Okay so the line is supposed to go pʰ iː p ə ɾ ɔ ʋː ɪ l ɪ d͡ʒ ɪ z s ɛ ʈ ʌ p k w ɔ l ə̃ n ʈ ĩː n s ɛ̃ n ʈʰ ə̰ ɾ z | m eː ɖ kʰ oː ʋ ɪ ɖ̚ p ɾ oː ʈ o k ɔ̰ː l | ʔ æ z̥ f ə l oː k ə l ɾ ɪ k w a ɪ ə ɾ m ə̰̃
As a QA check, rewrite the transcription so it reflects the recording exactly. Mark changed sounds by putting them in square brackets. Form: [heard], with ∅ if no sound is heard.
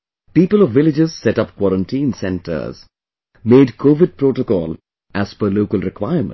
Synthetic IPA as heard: [p] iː p ə [l] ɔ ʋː ɪ l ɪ d͡ʒ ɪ z s ɛ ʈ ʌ p k w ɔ [ɾ] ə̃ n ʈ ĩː n s ɛ̃ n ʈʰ ə̰ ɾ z | m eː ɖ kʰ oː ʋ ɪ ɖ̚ p ɾ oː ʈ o k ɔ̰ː l | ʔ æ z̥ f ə l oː k ə l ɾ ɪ k w a ɪ ə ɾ m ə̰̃